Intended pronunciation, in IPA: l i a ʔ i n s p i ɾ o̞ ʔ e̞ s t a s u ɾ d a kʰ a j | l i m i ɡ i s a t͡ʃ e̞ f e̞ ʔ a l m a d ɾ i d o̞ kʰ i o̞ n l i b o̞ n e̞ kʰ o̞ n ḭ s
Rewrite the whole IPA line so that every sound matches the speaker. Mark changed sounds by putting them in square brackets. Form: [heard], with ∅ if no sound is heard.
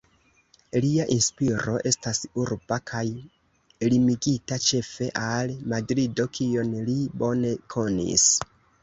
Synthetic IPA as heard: l i a ʔ i n s p i ɾ o̞ ʔ e̞ s t a s u ɾ [b] a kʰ a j | l i m i ɡ i [t] a t͡ʃ e̞ f e̞ ʔ a l m a d ɾ i d o̞ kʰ i o̞ n l i b o̞ n e̞ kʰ o̞ n ḭ s